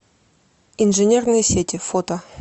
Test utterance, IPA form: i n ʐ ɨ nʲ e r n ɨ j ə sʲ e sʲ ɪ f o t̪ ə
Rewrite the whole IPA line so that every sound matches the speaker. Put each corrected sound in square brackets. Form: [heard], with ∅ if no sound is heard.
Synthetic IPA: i n ʐ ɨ nʲ e r n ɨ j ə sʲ e [tʲ] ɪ f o t̪ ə